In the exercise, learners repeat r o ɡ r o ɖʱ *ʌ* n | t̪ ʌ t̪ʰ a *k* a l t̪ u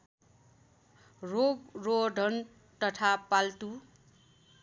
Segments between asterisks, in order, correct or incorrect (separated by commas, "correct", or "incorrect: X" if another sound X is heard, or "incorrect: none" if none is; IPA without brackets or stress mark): correct, incorrect: p